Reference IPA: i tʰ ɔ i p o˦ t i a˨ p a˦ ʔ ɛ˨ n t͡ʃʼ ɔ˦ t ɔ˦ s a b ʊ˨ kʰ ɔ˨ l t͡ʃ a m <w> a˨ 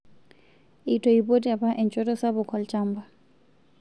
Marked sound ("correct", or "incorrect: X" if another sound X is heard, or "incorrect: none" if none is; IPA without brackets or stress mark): incorrect: b